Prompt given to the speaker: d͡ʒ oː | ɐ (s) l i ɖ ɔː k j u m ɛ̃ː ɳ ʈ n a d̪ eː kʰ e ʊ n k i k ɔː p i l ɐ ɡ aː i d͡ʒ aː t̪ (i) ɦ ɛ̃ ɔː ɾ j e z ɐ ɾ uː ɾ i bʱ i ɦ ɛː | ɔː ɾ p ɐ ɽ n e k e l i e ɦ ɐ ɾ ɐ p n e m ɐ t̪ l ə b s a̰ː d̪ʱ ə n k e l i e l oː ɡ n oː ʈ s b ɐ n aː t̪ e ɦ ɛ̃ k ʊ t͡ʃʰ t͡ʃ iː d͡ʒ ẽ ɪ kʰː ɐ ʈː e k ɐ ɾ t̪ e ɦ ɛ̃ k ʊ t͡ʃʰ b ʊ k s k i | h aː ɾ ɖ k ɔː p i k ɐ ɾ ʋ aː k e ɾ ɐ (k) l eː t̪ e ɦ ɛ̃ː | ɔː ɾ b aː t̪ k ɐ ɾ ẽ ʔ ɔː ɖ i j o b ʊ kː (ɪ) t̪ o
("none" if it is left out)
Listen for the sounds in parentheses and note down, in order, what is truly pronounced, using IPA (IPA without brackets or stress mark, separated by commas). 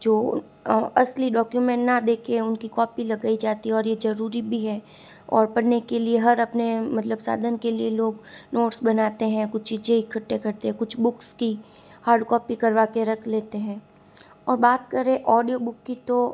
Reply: s, i, kʰ, i